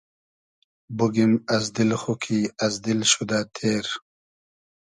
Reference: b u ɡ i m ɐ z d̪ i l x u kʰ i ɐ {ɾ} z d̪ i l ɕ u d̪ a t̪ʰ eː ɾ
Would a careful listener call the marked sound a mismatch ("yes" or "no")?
yes